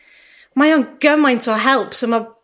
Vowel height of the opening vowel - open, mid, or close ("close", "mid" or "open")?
open